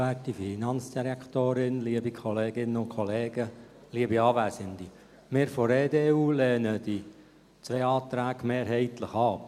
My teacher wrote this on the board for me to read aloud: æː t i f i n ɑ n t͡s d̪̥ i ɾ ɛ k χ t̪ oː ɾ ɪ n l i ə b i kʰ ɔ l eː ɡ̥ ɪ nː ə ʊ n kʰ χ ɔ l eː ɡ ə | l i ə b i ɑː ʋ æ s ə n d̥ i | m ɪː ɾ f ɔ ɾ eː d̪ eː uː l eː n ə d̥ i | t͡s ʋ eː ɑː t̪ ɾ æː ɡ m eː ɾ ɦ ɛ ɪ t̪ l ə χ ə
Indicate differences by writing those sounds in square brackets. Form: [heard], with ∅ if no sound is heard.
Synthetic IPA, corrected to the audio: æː t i f i n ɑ n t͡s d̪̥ i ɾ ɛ k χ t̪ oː ɾ ɪ n l i ə b i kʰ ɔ l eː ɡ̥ ɪ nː ə ʊ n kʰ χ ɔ l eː ɡ ə | l i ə b i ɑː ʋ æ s ə n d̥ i | m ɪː ɾ f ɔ ɾ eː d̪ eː uː l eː n ə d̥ i | t͡s ʋ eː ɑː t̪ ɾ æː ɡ m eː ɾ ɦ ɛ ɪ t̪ l ə χ [ɑ]